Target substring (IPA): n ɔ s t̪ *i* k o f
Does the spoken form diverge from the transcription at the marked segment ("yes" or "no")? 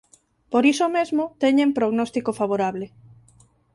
no